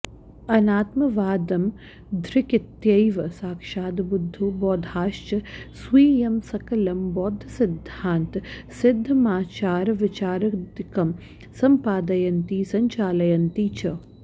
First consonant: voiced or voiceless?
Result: voiced